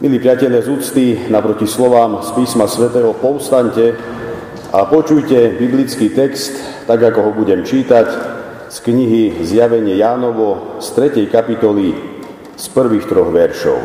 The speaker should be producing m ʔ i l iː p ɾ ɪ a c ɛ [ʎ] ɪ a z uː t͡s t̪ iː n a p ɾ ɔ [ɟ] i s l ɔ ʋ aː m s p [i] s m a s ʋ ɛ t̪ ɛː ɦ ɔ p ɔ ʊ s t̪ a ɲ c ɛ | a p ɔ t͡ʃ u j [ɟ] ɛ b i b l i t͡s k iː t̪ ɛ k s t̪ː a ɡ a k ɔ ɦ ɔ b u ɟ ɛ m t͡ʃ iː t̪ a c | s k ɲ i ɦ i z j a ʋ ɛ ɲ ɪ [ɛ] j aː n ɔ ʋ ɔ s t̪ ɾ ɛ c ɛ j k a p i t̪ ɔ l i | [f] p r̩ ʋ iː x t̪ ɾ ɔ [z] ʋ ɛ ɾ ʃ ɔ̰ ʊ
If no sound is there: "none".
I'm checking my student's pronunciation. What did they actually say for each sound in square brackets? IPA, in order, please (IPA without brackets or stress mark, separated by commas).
ʎ, c, iː, c, ɛ, s, ɣ